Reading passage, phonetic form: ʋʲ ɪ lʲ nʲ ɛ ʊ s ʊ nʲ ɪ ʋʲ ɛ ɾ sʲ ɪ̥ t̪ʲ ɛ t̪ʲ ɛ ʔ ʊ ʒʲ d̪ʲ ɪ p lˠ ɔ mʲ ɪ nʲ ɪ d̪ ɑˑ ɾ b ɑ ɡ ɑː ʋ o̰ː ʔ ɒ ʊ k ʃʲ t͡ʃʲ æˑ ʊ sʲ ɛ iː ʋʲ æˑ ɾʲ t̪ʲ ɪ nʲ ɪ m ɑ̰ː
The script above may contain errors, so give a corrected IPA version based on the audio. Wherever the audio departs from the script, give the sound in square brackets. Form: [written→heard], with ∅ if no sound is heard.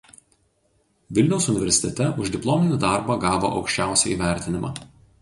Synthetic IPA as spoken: ʋʲ ɪ lʲ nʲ ɛ ʊ s ʊ nʲ ɪ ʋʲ ɛ ɾ sʲ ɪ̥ t̪ʲ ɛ t̪ʲ ɛ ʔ ʊ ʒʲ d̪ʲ ɪ p lˠ ɔ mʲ ɪ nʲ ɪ d̪ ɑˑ ɾ b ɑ ɡ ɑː ʋ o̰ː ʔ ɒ ʊ k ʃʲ t͡ʃʲ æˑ ʊ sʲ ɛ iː ʋʲ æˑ ɾʲ t̪ʲ ɪ nʲ ɪ m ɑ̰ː